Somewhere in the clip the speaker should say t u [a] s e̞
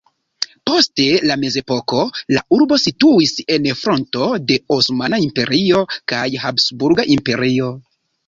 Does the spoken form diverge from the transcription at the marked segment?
yes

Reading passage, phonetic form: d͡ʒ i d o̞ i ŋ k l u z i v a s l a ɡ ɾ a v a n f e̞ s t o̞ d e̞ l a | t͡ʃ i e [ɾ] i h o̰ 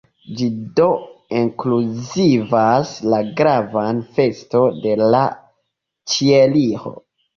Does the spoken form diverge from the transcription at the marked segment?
yes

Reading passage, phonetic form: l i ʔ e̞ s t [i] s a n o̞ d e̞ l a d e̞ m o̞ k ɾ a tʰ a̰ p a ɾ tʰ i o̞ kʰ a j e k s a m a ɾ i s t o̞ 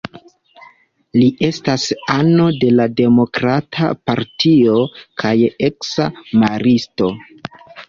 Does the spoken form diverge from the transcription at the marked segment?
yes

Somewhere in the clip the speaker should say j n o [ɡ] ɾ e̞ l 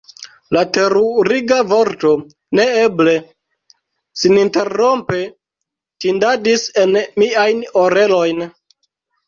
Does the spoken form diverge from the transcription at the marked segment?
yes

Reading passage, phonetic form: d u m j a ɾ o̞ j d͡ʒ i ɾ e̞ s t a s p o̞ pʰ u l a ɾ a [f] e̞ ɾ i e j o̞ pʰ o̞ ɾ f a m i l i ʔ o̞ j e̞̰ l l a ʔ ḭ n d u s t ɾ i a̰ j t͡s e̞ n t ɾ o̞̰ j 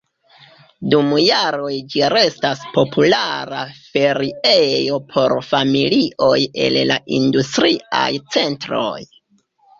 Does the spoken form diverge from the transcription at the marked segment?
no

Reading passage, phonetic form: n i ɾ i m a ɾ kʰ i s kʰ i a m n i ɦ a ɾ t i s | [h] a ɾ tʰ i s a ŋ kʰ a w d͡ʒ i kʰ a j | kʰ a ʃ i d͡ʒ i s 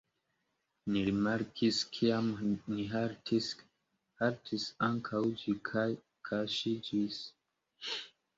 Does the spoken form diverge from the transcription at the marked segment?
no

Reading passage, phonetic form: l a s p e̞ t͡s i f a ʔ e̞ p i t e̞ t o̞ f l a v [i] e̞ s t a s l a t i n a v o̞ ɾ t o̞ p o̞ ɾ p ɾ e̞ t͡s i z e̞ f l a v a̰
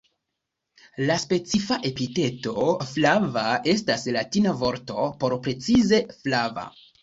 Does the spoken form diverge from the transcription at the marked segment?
yes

